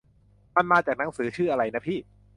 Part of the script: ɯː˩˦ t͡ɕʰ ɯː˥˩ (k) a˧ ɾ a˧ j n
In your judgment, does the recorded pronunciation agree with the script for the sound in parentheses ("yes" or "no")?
no